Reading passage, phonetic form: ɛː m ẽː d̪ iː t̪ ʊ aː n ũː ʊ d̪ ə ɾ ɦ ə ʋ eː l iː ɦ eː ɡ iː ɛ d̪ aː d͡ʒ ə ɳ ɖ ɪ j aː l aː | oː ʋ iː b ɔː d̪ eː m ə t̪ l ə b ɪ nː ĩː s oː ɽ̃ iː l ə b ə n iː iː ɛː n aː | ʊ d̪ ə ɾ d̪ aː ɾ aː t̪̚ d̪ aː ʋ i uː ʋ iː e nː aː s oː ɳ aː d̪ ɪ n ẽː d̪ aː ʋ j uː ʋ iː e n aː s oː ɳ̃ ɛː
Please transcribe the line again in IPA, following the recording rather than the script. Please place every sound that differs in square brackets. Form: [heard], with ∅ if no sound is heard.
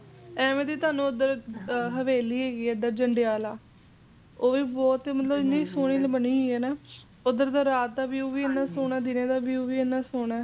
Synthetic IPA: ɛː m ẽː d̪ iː t̪ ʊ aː n ũː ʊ d̪ ə ɾ ɦ ə ʋ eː l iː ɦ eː ɡ iː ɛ d̪ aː d͡ʒ ə ɳ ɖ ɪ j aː l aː | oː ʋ iː b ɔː [t̪] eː m ə t̪ l ə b ɪ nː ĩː s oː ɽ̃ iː l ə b ə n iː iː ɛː n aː | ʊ d̪ ə ɾ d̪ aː ɾ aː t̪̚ d̪ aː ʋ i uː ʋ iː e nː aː s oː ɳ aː d̪ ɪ n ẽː d̪ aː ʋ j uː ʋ iː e n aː s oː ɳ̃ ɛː